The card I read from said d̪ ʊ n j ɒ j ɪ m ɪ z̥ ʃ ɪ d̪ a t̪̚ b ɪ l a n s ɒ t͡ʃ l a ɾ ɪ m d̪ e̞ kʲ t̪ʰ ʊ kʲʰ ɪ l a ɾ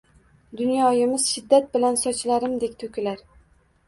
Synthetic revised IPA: d̪ ʊ n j ɒ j ɪ m ɪ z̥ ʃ ɪ d̪ː a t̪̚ b ɪ l a n s ɒ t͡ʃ l a ɾ ɪ m d̪ e̞ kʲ t̪ʰ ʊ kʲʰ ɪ l a ɾ